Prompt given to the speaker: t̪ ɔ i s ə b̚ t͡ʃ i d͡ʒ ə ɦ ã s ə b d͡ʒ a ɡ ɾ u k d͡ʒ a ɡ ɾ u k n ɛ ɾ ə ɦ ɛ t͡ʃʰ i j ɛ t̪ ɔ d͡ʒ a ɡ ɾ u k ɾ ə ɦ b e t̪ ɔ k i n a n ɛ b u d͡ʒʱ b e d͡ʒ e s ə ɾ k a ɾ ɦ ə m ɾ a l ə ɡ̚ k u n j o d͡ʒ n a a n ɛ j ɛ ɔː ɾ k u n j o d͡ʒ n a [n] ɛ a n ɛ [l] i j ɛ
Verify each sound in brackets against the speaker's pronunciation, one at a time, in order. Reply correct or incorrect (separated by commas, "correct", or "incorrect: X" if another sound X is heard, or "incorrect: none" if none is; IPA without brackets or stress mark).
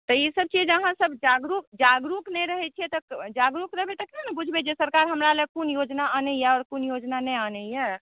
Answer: correct, incorrect: none